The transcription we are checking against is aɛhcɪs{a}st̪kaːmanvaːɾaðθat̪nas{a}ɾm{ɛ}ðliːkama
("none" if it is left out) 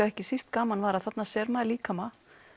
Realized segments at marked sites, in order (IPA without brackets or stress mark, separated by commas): i, ɛ, a